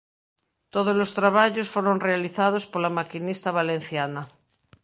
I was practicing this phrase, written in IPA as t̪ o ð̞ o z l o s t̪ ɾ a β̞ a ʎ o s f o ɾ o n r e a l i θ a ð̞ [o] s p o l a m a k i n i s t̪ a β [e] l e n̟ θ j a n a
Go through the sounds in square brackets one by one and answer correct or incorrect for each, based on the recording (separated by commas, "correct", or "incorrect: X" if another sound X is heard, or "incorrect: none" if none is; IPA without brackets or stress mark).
correct, incorrect: a